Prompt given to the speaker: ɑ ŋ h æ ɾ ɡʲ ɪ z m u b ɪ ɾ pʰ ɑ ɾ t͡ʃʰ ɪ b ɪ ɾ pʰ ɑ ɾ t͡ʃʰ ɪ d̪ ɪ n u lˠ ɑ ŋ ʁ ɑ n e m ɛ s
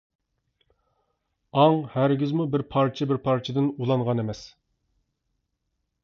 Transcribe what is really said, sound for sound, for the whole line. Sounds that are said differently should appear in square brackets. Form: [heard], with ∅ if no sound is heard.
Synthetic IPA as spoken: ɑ ŋ h æ ɾ ɡʲ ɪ z m u b ɪ ɾ pʰ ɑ ɾ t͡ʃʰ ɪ b ɪ ɾ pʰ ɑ ɾ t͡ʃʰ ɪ d̪ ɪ n u lˠ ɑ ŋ ʁ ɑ n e m ɛ s